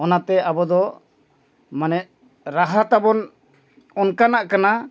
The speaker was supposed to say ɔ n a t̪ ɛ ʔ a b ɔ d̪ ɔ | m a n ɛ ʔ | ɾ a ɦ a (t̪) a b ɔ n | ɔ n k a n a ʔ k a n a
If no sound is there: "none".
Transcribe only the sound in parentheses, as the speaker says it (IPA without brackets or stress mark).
t̪